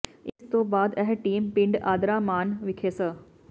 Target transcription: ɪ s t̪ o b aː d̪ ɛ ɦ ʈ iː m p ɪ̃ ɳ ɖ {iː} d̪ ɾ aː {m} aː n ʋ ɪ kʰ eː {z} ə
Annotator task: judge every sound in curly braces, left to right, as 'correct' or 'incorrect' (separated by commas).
incorrect, correct, incorrect